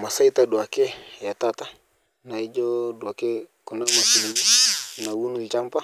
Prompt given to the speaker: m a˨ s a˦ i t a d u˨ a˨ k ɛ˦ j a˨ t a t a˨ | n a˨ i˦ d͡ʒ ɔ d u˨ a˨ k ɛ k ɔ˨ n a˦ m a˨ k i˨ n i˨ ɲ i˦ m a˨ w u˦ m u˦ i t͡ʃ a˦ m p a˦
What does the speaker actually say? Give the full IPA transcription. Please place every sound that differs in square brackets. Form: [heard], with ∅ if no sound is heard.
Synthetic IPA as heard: m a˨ s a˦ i t a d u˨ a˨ k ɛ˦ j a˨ t a t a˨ | n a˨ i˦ d͡ʒ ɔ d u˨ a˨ k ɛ k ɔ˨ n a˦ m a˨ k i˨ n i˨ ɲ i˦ [n] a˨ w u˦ [n] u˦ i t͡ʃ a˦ m p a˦

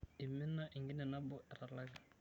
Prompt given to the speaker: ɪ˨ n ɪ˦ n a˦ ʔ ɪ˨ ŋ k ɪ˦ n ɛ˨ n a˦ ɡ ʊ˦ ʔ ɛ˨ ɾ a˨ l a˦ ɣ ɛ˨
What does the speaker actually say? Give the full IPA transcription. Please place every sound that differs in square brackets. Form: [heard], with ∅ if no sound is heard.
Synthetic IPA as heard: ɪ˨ [m] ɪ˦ n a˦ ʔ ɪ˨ ŋ [ɡ] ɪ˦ n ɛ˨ n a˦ [b] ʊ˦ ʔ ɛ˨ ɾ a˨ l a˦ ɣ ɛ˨

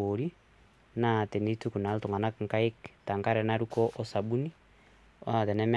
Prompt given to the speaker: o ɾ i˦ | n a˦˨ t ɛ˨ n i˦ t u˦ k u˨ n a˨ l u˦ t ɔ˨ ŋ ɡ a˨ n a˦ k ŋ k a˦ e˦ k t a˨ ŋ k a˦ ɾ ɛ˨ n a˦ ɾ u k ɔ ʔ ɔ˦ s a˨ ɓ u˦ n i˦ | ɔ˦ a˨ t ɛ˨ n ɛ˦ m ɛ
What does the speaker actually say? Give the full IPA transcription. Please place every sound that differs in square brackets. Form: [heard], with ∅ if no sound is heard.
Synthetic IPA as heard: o ɾ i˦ | n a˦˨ t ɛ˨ n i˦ t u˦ k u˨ n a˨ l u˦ t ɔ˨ ŋ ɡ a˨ n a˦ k ŋ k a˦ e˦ k t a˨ ŋ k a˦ ɾ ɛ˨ n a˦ ɾ u k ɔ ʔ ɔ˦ s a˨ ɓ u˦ n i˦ | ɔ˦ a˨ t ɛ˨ n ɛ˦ m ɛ

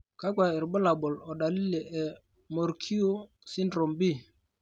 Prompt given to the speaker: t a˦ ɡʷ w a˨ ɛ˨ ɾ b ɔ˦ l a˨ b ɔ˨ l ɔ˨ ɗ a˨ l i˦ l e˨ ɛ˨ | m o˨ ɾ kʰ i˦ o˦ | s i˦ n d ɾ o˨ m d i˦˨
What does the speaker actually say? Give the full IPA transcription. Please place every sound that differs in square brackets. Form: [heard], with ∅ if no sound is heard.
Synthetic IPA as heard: [k] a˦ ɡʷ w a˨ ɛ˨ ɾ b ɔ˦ l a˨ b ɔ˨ l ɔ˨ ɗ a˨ l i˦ l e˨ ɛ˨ | m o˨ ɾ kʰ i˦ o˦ | s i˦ n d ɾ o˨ m [b] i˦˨

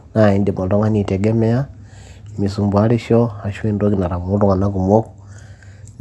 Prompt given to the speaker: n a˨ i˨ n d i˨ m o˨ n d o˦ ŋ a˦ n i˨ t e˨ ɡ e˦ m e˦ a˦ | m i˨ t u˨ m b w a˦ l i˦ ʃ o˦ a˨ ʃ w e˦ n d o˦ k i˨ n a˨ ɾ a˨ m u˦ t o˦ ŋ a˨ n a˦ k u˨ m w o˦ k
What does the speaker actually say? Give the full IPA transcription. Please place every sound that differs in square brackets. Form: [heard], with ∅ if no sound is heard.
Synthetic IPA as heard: n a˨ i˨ n d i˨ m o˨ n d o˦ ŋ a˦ n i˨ t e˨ ɡ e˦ m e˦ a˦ | m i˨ [s] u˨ m b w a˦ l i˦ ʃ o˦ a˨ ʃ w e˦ n d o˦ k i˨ n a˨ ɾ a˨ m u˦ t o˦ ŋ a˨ n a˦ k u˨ m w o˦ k

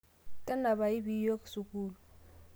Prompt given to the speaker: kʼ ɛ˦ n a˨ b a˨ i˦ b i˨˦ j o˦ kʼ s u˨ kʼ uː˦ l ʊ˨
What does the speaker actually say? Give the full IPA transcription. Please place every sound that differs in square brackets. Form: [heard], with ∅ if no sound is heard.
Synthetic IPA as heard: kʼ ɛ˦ n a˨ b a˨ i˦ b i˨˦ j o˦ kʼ s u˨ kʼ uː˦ l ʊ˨

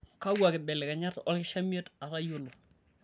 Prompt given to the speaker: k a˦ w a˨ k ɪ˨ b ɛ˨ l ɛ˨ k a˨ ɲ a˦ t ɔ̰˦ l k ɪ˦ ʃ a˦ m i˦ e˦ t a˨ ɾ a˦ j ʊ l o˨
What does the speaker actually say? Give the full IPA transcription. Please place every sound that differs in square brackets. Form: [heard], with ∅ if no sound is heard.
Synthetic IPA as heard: k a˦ w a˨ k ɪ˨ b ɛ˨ l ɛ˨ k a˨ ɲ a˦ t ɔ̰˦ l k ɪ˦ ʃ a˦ m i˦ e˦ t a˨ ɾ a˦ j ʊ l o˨

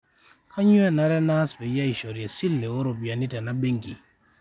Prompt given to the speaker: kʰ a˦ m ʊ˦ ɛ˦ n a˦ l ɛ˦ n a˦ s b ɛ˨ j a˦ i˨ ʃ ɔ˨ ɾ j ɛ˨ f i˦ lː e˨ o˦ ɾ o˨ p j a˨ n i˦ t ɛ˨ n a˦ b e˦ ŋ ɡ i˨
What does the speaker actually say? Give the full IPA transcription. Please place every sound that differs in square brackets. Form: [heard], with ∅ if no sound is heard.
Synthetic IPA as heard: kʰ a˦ [ɲ] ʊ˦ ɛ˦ n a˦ [ɾ] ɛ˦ n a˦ s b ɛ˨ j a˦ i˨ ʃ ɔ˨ ɾ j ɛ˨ [s] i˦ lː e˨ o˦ ɾ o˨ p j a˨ n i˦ t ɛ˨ n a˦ b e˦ ŋ ɡ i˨

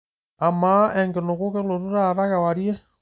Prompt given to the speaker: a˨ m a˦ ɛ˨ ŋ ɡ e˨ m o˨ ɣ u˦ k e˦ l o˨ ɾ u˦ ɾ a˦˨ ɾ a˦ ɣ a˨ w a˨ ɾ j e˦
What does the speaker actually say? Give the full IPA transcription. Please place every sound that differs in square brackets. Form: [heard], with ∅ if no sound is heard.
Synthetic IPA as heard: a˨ m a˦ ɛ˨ ŋ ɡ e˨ [n] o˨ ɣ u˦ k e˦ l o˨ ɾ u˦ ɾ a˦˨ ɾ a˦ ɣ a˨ w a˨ ɾ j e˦

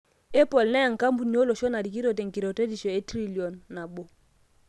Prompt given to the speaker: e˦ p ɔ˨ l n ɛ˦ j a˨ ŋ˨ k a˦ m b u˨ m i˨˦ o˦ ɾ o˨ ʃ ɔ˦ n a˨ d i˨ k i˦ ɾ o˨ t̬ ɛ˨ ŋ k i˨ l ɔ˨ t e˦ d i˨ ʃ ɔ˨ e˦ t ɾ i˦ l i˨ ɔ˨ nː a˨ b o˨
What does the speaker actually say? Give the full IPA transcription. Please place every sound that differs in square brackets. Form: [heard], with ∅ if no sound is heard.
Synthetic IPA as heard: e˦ p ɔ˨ l n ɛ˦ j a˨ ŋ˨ k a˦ m b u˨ [n] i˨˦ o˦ [l] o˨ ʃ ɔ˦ n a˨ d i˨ k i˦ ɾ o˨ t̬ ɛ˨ ŋ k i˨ [ɾ] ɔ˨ t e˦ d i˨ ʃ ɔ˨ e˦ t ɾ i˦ l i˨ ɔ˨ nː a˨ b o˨

